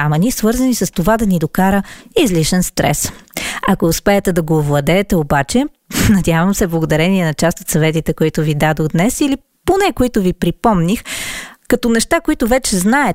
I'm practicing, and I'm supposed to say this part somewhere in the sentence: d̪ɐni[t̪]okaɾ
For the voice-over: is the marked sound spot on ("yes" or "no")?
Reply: no